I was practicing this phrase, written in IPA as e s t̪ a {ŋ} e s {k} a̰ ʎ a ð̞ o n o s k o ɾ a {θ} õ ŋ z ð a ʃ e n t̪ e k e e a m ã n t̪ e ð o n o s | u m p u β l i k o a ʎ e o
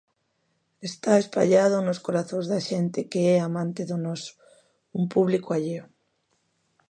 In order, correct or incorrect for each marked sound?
incorrect, incorrect, correct

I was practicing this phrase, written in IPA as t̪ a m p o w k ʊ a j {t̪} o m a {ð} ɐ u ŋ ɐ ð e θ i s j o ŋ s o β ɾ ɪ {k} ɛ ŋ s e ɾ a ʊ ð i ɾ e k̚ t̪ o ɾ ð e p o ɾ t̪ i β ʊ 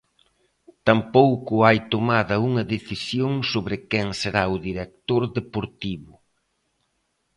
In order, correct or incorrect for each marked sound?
correct, correct, correct

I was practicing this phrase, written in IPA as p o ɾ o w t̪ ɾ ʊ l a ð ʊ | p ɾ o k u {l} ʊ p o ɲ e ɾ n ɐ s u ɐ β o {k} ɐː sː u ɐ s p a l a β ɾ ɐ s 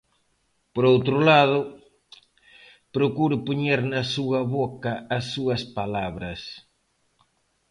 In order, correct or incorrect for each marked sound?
incorrect, correct

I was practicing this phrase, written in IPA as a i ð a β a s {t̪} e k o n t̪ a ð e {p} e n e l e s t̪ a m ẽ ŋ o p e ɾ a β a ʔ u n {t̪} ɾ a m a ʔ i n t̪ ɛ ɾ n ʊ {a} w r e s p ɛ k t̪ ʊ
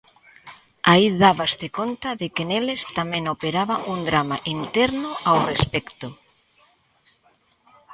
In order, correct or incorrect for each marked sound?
correct, incorrect, incorrect, correct

